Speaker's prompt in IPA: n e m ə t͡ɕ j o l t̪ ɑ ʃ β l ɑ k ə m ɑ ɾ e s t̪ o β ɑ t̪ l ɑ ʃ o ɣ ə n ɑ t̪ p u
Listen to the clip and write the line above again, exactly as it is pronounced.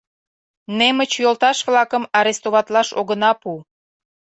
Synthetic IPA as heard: n e m ə t͡ɕ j o l t̪ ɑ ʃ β l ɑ k ə m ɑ ɾ e s t̪ o β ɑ t̪ l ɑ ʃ o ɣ ə n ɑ p u